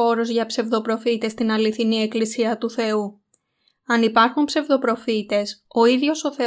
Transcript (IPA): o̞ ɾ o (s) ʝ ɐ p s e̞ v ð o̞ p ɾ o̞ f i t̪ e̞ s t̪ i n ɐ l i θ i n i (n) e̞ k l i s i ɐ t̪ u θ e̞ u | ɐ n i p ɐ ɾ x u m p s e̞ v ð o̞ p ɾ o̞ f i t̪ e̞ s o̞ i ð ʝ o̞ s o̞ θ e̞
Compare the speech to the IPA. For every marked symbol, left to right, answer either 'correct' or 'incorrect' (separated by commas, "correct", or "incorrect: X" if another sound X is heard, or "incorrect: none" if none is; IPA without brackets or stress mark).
incorrect: z, incorrect: none